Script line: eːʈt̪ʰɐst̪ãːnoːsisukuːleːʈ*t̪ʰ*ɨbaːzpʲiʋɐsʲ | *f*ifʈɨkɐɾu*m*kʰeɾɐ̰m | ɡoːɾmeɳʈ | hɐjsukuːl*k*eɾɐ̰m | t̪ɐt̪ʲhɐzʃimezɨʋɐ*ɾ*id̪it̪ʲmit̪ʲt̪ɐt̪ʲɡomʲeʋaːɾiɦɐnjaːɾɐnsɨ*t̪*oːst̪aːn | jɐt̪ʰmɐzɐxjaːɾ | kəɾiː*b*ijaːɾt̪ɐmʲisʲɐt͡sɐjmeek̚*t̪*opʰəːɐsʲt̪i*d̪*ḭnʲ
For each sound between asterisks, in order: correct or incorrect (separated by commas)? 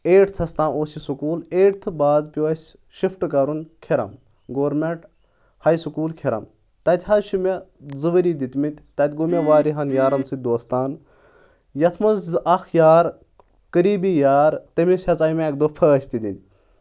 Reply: correct, incorrect, incorrect, incorrect, correct, incorrect, correct, incorrect, correct